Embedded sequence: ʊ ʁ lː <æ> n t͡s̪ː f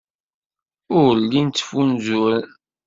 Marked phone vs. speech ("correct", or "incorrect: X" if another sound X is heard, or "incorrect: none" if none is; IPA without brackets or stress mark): incorrect: i